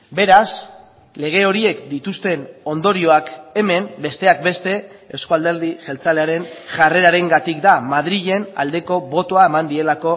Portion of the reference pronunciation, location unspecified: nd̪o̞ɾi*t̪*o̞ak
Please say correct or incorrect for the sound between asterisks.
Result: incorrect